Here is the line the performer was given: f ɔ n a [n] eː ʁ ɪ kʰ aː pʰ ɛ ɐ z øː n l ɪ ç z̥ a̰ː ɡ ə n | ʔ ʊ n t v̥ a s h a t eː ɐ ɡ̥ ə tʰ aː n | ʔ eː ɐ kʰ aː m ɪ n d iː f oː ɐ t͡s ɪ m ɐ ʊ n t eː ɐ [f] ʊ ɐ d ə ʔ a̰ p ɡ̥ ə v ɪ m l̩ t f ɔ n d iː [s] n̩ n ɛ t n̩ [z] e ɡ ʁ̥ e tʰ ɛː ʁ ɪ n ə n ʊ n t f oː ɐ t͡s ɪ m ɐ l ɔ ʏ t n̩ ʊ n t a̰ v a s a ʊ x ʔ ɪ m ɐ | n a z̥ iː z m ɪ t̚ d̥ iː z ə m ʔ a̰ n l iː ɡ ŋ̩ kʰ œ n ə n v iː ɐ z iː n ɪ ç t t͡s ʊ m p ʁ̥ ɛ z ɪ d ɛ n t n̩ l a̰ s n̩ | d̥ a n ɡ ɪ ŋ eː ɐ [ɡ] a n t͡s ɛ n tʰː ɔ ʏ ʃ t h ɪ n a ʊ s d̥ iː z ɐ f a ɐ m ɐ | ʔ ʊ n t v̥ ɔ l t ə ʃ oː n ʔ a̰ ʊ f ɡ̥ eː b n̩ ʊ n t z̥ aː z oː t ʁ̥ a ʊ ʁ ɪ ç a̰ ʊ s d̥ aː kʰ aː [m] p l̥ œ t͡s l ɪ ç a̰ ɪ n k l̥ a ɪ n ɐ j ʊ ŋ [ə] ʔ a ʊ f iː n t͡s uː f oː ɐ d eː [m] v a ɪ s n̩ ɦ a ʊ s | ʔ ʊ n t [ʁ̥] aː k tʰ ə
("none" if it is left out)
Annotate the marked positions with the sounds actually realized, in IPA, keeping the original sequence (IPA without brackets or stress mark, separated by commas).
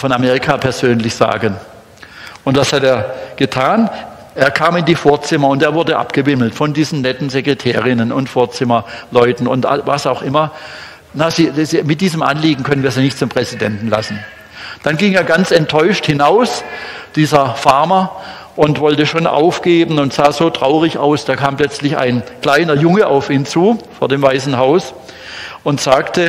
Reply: m, v, z, z, ɡ, m, ə, m, z̥